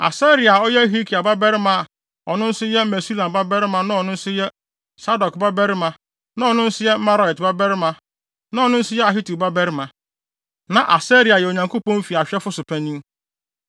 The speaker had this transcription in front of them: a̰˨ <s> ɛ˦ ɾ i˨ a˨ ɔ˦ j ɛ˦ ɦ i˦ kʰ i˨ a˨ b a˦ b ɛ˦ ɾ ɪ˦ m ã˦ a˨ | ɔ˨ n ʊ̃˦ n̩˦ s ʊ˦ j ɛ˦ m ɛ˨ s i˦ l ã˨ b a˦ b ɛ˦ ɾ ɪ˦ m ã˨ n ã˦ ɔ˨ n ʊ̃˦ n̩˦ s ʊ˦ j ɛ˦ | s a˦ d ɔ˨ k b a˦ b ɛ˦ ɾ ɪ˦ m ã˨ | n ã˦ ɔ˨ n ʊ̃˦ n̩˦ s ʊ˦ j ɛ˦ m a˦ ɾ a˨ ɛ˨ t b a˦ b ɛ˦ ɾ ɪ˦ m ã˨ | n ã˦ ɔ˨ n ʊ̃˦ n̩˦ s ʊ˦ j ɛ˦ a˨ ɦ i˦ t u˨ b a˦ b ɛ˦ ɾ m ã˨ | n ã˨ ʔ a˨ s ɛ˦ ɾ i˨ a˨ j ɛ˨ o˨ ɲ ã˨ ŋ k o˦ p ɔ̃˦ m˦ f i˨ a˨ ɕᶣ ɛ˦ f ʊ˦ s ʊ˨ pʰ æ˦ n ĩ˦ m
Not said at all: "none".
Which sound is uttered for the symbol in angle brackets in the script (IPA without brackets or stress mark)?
s